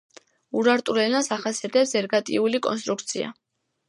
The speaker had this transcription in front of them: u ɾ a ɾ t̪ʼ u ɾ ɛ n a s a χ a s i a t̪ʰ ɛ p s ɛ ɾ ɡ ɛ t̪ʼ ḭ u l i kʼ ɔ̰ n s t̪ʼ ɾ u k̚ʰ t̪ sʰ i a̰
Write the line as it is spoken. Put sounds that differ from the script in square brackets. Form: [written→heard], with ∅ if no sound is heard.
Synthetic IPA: u ɾ a ɾ t̪ʼ u ɾ ɛ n a s a χ a s i a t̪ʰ ɛ p s ɛ ɾ ɡ [ɛ→a] t̪ʼ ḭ u l i kʼ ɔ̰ n s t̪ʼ ɾ u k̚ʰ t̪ sʰ i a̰

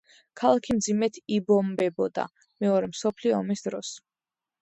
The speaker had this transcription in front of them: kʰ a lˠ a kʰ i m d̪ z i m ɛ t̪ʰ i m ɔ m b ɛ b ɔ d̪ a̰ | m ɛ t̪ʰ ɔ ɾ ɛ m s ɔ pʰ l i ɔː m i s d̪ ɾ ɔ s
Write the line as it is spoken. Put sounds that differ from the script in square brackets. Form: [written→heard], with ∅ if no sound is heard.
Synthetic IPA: kʰ a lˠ a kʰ i m d̪ z i m ɛ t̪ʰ i [m→b] ɔ m b ɛ b ɔ d̪ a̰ | m ɛ [t̪ʰ→∅] ɔ ɾ ɛ m s ɔ pʰ l i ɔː m i s d̪ ɾ ɔ s

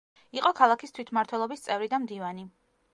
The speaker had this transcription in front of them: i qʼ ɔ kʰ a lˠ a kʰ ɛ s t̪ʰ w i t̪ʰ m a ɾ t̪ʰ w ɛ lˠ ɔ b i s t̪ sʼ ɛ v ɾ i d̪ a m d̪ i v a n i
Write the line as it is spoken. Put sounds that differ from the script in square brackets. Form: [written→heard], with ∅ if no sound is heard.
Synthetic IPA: i qʼ ɔ kʰ a lˠ a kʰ [ɛ→i] s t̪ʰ w i t̪ʰ m a ɾ t̪ʰ w ɛ lˠ ɔ b i s t̪ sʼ ɛ v ɾ i d̪ a m d̪ i v a n i

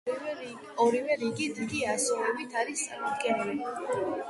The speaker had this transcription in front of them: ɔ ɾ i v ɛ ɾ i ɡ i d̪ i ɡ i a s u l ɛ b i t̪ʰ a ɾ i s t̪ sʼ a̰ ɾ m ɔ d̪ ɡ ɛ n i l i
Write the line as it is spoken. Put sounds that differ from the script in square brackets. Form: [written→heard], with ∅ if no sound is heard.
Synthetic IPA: ɔ ɾ i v ɛ ɾ i ɡ i d̪ i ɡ i a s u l ɛ b i t̪ʰ a ɾ i s t̪ sʼ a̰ ɾ m ɔ d̪ ɡ ɛ n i l i

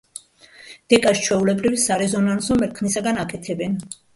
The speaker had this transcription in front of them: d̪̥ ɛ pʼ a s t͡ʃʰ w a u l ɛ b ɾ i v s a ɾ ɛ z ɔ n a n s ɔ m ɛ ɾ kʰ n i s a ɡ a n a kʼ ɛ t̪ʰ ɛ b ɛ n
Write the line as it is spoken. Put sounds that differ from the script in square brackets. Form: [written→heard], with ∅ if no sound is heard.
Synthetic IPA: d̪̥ ɛ [pʼ→kʼ] a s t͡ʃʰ w [a→ɛ] u l ɛ b ɾ i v s a ɾ ɛ z ɔ n a n s ɔ m ɛ ɾ kʰ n i s a ɡ a n a kʼ ɛ t̪ʰ ɛ b ɛ n

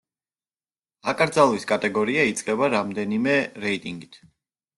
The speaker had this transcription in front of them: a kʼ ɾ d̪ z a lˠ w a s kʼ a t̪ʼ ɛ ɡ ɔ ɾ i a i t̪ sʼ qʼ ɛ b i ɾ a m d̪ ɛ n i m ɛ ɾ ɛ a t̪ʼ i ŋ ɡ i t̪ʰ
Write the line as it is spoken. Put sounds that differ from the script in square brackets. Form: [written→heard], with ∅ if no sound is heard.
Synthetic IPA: a kʼ ɾ d̪ z a lˠ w [a→i] s kʼ a t̪ʼ ɛ ɡ ɔ ɾ i a i t̪ sʼ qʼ ɛ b [i→a] ɾ a m d̪ ɛ n i m ɛ ɾ ɛ [a→i] t̪ʼ i ŋ ɡ i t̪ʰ

